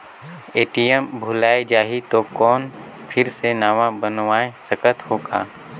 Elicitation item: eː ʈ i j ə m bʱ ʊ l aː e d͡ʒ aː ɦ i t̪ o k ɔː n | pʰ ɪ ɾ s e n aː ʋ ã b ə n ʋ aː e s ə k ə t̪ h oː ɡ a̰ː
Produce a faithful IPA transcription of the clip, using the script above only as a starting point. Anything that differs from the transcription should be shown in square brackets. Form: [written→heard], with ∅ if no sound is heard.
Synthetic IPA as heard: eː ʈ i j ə m bʱ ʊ l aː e d͡ʒ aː ɦ i t̪ o k ɔː n | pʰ ɪ ɾ s e n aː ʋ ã b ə n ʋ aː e s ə k ə t̪ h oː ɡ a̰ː